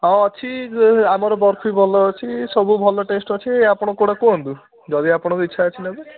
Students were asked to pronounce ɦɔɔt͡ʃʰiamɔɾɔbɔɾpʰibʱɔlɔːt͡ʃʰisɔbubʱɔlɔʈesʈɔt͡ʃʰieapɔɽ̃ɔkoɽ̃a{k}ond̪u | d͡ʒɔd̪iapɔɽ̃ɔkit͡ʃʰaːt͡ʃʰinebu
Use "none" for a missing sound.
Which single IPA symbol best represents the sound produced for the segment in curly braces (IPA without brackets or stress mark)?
k